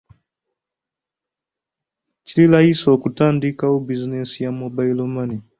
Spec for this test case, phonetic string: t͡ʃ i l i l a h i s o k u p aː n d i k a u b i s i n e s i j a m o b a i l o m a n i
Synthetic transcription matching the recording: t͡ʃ i l i l a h i s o k u t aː n d i k a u b i z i n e s i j a m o b a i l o m a n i

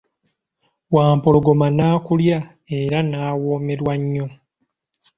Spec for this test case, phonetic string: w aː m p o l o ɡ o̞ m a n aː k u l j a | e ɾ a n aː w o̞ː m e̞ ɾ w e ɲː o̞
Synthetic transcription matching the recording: w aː m p o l o ɡ o̞ m a n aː k u l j a | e ɾ a n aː w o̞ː m e̞ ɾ w a ɲː o̞

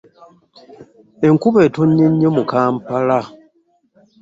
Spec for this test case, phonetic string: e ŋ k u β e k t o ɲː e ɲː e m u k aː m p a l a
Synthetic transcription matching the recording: e ŋ k u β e t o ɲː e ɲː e m u k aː m p a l a

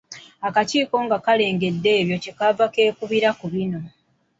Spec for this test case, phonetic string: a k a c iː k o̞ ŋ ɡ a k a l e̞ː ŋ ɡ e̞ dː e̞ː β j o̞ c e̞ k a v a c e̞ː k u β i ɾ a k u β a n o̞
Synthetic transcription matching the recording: a k a c iː k o̞ ŋ ɡ a k a l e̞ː ŋ ɡ e̞ dː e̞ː β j o̞ c e̞ k a v a k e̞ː k u β i ɾ a k u β i n o̞

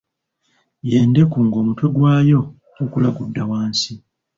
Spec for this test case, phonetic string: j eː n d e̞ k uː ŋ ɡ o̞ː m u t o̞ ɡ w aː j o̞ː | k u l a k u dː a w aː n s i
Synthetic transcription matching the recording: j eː n d e̞ k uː ŋ ɡ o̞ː m u t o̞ ɡ w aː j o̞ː | k u l a ɡ u dː a w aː n s i

